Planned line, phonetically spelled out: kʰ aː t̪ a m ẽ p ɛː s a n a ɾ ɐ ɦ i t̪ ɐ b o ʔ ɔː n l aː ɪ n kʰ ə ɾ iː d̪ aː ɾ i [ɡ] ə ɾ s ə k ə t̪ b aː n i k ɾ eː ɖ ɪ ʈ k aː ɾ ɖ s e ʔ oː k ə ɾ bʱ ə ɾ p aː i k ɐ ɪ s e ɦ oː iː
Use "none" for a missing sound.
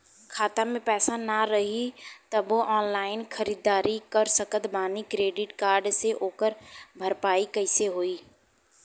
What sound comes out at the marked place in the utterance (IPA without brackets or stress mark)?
k